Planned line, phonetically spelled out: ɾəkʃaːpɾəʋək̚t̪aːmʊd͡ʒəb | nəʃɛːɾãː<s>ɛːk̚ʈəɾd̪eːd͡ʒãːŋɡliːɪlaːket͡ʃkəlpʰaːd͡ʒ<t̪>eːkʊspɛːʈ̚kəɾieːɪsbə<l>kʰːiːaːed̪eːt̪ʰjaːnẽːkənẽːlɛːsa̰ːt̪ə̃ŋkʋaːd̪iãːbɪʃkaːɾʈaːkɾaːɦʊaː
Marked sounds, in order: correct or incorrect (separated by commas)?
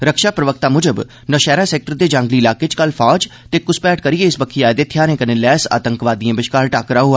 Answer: correct, correct, incorrect